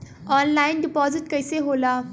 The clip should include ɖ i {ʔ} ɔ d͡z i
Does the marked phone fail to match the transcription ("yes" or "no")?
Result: yes